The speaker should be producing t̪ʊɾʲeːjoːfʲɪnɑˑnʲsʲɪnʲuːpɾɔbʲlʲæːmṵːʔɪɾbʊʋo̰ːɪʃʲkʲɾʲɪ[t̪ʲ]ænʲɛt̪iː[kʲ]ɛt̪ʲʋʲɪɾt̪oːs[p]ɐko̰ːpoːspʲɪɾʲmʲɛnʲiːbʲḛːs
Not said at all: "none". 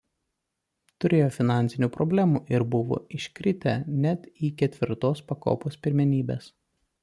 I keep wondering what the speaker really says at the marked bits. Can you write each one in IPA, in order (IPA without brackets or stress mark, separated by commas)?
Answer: t̪ʲ, kʲ, p